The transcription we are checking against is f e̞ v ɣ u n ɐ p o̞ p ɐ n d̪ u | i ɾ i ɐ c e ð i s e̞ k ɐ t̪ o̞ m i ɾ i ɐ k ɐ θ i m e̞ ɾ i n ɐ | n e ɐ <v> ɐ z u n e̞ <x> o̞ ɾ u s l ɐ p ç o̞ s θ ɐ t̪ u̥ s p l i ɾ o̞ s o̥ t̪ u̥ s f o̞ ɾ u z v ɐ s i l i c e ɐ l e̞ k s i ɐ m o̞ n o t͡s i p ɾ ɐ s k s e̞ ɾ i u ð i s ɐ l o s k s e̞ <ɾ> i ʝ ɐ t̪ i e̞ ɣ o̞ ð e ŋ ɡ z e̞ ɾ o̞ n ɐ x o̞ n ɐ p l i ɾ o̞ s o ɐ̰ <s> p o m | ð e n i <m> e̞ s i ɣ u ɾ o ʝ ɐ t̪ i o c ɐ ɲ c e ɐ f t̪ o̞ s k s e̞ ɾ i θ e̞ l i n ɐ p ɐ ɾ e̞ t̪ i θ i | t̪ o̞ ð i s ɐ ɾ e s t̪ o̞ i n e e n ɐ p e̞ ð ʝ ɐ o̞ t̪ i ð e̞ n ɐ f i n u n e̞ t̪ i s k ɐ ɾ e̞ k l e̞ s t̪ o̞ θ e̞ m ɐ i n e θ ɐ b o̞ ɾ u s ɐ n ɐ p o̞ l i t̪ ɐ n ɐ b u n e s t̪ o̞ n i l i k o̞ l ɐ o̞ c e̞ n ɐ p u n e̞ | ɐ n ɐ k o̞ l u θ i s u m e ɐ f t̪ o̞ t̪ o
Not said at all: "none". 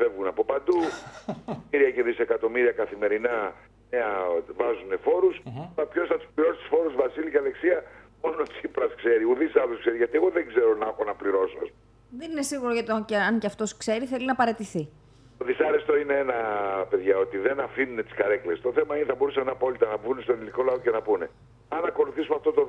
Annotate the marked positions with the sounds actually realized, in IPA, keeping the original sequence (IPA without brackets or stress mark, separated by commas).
v, f, ɾ, s, n